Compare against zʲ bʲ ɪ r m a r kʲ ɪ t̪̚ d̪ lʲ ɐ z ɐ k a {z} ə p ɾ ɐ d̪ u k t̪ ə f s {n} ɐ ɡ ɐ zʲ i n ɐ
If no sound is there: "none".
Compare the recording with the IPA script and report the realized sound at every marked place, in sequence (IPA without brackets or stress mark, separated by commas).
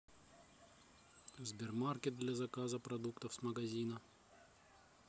z, m